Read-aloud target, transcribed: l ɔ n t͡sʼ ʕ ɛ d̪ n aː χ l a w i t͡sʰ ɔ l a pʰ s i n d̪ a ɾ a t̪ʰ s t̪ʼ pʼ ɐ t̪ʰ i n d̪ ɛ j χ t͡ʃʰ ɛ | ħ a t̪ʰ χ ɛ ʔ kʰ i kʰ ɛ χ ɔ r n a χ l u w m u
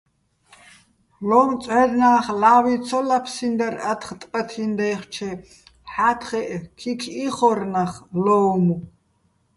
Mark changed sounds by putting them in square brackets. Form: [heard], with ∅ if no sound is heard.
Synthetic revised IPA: l ɔ [m] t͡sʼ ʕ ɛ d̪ n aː χ l a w i t͡sʰ ɔ l a pʰ s i n d̪ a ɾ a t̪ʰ [χ] t̪ʼ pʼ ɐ t̪ʰ i n d̪ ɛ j χ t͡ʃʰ ɛ | ħ a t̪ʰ χ ɛ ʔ kʰ i kʰ [i] χ ɔ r n a χ l [ɔ] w m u